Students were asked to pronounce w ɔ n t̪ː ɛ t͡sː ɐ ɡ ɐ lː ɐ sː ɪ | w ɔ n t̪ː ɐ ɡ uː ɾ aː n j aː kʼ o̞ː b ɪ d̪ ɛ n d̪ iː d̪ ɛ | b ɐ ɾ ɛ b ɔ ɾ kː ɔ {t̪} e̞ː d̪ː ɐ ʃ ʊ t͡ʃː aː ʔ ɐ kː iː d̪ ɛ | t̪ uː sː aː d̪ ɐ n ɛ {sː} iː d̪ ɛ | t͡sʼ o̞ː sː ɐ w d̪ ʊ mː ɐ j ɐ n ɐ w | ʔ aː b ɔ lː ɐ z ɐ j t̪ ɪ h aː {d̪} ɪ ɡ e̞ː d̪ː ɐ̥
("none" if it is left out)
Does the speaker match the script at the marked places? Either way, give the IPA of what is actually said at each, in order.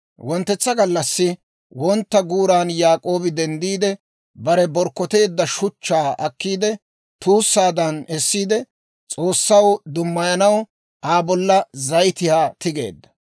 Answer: t̪, sː, t̪

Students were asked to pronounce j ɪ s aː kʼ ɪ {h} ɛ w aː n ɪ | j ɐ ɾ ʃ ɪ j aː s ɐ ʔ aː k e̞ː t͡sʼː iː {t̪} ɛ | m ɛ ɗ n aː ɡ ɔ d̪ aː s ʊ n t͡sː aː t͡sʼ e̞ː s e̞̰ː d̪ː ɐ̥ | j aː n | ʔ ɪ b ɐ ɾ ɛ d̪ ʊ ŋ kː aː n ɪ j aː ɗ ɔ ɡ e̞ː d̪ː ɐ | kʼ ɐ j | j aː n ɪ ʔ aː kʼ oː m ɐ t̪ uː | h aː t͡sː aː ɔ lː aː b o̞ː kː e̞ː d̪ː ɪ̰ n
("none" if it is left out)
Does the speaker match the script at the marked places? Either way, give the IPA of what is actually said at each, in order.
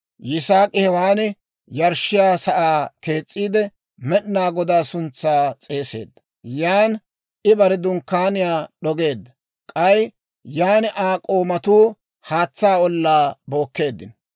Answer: h, d̪

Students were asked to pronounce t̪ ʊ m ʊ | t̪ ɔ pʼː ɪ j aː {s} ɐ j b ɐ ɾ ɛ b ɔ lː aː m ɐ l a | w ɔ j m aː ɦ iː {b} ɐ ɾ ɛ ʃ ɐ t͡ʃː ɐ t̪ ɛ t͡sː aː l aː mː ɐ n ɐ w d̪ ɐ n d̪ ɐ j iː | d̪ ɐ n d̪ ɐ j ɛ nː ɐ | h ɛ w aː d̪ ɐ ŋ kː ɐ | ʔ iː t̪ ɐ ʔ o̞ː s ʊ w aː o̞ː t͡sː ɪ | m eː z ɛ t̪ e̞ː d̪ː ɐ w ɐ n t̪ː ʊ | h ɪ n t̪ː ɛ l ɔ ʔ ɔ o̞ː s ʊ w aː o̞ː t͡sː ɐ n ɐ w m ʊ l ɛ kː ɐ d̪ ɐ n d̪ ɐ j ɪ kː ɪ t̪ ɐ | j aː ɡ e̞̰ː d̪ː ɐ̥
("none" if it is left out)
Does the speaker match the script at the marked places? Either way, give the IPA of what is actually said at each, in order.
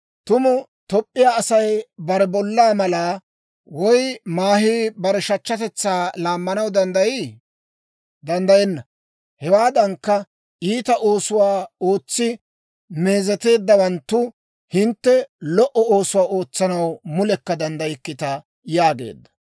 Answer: s, b

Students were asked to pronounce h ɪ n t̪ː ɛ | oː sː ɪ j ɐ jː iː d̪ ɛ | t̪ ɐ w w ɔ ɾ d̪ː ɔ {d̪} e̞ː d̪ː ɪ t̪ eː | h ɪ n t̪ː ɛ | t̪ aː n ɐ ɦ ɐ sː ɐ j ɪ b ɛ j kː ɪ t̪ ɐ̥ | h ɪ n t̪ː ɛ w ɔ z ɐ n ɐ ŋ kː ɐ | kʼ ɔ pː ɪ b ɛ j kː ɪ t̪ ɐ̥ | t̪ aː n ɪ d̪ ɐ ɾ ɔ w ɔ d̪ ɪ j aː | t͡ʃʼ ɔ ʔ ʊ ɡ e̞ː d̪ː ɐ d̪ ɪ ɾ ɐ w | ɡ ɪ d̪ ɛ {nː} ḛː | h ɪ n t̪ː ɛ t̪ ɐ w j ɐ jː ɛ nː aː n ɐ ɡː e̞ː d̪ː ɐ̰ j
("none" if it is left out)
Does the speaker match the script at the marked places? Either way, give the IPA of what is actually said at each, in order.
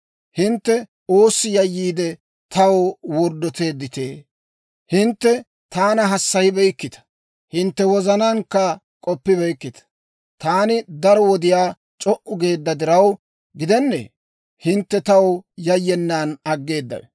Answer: t̪, nː

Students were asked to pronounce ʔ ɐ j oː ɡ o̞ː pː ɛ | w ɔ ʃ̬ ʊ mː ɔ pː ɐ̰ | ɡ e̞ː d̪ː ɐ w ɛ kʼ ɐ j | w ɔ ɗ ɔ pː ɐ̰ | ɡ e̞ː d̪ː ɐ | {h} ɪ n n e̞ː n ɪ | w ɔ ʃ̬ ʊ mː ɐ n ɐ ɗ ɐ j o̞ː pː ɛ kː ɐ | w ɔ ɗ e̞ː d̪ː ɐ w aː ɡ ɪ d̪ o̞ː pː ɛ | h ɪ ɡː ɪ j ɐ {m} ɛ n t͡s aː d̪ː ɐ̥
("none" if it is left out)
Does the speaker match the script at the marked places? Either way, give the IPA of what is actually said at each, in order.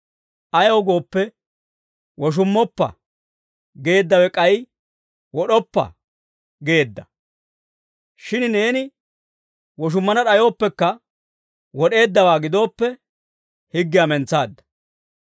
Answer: ʃ, m

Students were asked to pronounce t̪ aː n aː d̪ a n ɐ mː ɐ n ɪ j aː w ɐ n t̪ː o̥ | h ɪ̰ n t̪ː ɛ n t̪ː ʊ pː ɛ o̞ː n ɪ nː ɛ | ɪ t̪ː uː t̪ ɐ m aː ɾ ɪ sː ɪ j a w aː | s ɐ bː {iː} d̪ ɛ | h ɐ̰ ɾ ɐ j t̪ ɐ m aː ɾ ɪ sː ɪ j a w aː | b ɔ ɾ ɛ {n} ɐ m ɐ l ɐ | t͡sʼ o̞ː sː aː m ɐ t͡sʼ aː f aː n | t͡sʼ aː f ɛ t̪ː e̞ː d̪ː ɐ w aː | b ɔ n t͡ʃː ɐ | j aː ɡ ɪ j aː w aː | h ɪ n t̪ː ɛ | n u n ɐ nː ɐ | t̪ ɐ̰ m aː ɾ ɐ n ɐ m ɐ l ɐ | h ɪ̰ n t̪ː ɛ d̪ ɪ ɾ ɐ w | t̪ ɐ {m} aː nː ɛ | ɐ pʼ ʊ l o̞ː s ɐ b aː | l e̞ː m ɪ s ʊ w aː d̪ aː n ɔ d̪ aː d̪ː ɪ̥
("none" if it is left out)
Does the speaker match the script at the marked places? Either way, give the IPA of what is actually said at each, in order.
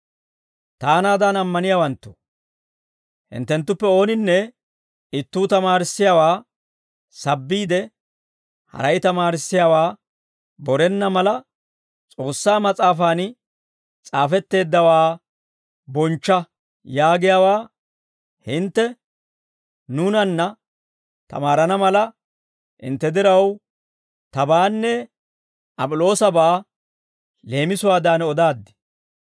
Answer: iː, nː, b

